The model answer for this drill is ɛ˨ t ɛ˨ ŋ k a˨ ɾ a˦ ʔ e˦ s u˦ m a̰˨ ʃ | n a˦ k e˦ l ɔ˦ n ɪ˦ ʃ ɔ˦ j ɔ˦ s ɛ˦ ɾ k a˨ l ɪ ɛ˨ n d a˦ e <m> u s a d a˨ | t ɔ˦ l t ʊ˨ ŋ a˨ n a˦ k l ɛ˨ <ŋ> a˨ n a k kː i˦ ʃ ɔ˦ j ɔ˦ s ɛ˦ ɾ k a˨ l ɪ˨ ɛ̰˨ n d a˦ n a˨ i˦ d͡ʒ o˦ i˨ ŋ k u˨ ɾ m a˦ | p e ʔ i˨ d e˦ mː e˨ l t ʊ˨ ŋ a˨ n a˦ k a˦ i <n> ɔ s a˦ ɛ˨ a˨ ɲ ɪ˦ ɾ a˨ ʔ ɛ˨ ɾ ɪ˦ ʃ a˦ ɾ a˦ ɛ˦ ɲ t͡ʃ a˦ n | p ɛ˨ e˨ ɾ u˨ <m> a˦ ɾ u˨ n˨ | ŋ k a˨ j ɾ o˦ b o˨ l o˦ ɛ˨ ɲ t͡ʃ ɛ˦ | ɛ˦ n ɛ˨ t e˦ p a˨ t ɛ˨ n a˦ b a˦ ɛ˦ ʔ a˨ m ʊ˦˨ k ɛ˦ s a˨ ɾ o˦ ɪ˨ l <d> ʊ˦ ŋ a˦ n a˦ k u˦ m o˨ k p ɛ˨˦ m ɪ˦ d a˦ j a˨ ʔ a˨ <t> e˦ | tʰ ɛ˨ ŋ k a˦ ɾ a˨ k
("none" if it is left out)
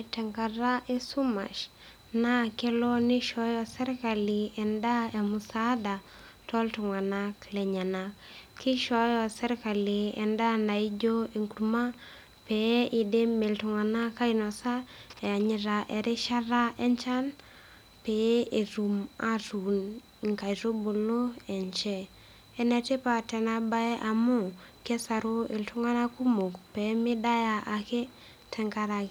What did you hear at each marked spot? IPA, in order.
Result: m, ɲ, n, m, t, k

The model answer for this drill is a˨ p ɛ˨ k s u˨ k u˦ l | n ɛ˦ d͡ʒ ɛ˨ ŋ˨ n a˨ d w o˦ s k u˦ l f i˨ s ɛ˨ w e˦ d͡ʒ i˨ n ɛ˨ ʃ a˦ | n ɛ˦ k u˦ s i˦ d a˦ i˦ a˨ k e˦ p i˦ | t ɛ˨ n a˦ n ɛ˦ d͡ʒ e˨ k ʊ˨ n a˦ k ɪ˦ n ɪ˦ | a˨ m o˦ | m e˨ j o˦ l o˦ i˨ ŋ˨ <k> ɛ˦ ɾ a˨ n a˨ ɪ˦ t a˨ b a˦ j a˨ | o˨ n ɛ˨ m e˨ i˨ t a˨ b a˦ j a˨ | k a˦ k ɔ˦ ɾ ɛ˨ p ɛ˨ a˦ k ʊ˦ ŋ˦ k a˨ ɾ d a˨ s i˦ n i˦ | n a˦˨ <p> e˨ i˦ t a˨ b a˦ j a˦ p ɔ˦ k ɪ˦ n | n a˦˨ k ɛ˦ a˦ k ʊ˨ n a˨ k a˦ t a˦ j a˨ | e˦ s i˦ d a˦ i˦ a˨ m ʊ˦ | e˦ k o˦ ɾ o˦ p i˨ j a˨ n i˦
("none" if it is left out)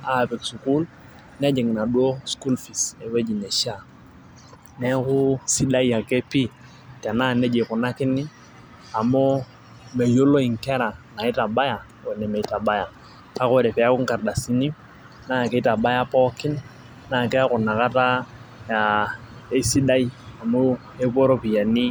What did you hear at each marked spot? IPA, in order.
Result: k, k

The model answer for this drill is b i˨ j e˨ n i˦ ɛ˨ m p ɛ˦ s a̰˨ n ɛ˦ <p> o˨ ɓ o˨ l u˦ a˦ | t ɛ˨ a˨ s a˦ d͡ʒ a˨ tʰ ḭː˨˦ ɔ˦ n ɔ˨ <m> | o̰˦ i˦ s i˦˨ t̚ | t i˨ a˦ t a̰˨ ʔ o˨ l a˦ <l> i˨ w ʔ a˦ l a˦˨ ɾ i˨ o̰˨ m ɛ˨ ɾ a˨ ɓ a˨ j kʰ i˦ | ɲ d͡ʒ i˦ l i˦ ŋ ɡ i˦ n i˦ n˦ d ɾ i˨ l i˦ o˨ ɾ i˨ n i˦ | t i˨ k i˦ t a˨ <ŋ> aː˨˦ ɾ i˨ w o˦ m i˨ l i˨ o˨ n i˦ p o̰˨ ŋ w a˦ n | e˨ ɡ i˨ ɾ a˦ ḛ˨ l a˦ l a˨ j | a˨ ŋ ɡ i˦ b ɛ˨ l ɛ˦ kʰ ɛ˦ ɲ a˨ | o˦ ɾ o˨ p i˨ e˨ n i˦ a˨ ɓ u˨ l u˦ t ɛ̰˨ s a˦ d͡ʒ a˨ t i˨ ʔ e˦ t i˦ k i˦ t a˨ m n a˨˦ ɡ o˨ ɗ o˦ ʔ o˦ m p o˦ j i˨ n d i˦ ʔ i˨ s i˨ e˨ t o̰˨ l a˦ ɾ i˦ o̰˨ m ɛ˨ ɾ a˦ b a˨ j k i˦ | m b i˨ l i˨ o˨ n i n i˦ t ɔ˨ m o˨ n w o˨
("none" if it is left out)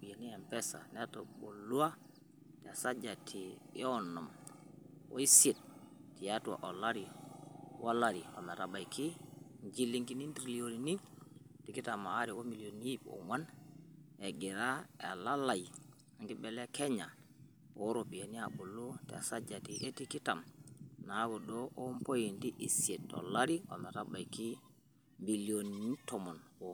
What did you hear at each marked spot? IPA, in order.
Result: t, m, ɾ, m

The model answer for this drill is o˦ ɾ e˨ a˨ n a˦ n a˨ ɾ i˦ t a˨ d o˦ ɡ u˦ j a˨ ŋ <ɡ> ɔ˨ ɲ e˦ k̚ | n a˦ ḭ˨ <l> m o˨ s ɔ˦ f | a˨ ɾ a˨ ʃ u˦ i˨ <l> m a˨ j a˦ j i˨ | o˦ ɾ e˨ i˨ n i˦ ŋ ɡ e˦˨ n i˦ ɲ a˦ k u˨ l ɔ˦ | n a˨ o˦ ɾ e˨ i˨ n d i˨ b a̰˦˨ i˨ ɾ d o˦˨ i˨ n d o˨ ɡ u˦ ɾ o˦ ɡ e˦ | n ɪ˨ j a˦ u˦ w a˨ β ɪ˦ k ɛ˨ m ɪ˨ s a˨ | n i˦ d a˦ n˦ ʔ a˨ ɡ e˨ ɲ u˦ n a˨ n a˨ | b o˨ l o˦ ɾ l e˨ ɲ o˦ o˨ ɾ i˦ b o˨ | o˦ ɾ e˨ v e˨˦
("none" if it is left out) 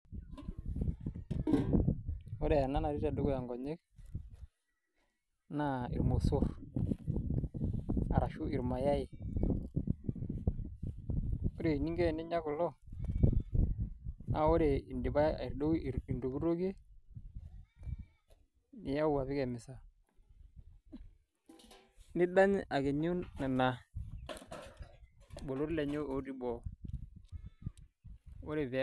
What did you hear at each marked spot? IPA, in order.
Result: ɡ, ɾ, ɾ

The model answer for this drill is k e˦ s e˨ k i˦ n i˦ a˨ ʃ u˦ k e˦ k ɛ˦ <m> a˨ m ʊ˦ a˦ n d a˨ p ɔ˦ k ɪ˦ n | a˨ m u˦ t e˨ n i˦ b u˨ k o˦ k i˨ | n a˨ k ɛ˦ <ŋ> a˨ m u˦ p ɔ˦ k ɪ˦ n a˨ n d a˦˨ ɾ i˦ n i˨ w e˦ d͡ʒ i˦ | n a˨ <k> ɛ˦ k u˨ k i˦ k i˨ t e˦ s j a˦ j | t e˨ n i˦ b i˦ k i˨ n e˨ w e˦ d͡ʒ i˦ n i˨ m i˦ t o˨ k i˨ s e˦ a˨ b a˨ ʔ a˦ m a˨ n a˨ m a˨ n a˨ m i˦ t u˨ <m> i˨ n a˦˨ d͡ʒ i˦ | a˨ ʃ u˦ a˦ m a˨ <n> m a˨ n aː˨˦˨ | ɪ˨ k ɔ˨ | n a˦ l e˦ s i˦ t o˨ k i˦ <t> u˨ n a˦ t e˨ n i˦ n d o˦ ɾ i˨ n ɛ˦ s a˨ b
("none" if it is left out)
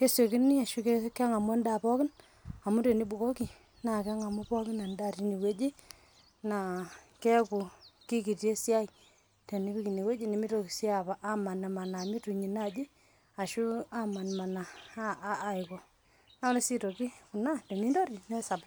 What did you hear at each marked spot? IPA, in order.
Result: ŋ, ŋ, k, ɲ, n, k

